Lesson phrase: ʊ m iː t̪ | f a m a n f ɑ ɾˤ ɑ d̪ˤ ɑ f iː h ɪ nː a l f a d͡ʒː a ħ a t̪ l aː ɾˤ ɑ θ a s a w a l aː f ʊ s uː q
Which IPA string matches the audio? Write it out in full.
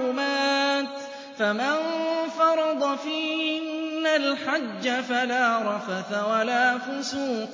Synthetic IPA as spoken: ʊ m aː t̪ | f a m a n f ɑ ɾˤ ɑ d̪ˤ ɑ f iː h ɪ nː a l ħ a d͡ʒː a f a l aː ɾˤ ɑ f a θ a w a l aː f ʊ s uː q

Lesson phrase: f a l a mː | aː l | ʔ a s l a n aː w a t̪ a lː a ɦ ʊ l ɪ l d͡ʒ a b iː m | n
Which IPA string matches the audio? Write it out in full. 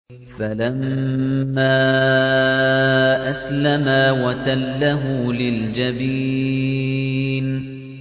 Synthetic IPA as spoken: f a l a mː | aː | ʔ a s l a m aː w a t̪ a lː a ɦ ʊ l ɪ l d͡ʒ a b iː | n

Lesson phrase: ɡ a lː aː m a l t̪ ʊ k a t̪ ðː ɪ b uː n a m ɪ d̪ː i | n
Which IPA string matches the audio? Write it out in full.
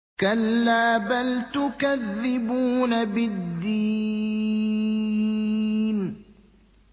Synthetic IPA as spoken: k a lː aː b a l t̪ ʊ k a ðː ɪ b uː n a b ɪ d̪ː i | n

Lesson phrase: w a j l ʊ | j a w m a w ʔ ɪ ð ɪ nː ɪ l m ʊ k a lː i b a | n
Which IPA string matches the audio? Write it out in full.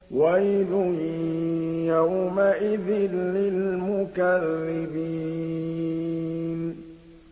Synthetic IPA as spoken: w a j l ʊ | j a w m a ʔ ɪ ð ɪ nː ɪ l m ʊ k a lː ɪ b i | n

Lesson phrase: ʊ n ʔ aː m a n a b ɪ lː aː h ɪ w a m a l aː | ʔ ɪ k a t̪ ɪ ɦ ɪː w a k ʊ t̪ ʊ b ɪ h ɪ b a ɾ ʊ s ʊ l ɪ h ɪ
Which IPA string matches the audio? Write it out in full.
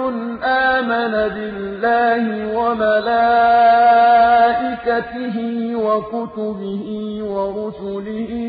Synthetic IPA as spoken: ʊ n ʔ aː m a n a b ɪ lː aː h ɪ w a m a l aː | ʔ ɪ k a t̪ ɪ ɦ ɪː w a k ʊ t̪ ʊ b ɪ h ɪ w a ɾ ʊ s ʊ l ɪ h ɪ

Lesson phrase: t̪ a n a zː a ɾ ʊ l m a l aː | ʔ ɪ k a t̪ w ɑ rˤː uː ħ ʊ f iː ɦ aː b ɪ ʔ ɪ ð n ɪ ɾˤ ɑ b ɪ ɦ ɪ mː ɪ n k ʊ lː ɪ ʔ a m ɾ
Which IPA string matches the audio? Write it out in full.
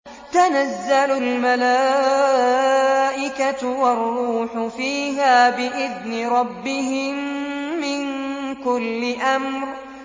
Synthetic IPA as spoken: t̪ a n a zː a l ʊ l m a l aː | ʔ ɪ k a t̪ w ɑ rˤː uː ħ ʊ f iː ɦ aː b ɪ ʔ ɪ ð n ɪ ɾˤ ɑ bː ɪ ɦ ɪ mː ɪ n k ʊ lː ɪ ʔ a m ɾ

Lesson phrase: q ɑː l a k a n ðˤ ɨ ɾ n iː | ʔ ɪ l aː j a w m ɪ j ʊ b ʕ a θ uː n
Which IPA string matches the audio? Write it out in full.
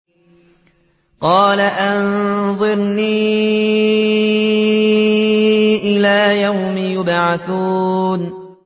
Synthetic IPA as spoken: q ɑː l a ʔ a n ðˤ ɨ ɾ n iː | ʔ ɪ l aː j a w m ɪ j ʊ b ʕ a θ uː n

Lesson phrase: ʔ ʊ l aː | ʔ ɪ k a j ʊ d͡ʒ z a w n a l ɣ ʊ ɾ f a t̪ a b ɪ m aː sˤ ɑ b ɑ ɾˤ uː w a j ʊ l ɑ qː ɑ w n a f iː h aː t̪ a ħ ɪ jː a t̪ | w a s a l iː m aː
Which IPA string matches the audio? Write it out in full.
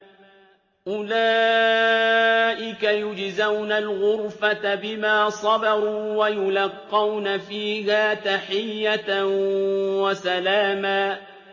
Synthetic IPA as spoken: ʔ ʊ l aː | ʔ ɪ k a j ʊ d͡ʒ z a w n a l ɣ ʊ ɾ f a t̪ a b ɪ m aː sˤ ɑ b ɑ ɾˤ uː w a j ʊ l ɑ qː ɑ w n a f iː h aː t̪ a ħ ɪ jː a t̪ | w a s a l aː m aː

